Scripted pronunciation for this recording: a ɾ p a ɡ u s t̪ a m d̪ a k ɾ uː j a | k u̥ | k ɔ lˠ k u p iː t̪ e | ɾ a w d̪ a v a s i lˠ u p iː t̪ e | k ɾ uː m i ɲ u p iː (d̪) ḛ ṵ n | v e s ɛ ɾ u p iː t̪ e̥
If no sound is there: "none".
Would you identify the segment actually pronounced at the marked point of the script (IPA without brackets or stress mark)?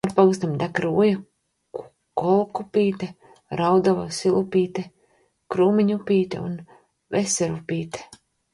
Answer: t̪